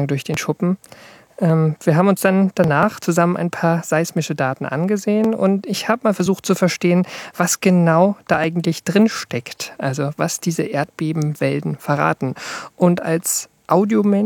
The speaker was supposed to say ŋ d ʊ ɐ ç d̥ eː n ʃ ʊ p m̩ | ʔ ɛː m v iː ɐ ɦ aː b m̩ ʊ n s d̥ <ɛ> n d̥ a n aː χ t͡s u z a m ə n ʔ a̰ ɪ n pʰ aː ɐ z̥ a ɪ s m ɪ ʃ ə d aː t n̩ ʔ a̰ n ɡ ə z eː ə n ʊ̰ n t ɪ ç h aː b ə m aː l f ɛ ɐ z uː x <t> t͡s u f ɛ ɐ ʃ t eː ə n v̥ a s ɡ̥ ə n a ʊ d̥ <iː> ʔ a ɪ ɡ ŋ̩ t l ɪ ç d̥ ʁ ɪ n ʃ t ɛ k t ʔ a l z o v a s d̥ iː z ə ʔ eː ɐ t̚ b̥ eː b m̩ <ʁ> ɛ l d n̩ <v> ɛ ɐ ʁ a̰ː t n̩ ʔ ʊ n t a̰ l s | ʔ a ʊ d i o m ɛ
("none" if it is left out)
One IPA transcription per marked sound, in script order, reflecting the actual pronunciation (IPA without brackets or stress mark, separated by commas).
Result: a, t, aː, v, f